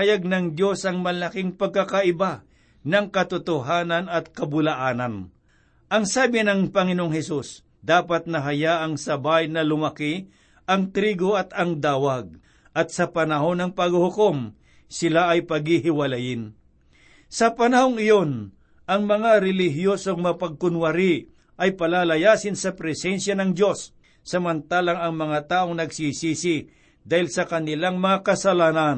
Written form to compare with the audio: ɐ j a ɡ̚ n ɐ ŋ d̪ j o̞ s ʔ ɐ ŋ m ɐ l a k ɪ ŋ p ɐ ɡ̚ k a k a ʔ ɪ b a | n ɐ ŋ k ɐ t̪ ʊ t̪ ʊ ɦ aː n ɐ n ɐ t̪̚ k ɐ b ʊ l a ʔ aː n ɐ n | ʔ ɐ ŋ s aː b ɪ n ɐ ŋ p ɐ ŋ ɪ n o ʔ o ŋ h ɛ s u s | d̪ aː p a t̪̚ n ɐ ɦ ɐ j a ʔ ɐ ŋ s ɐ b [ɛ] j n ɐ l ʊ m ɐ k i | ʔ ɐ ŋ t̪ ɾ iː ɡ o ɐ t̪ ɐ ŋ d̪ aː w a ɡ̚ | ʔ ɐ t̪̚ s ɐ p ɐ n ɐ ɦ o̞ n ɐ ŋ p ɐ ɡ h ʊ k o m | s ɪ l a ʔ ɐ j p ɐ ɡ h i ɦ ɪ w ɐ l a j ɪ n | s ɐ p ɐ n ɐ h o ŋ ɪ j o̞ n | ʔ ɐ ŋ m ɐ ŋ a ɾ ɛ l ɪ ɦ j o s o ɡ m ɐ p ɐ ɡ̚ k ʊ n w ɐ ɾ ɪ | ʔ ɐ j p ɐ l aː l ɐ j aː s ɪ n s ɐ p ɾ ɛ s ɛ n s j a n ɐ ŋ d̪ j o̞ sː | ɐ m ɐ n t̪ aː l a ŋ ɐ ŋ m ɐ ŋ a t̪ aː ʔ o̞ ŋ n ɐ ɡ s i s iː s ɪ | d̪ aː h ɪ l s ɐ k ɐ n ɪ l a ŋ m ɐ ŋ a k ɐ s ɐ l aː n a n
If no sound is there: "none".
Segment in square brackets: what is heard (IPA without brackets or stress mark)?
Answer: a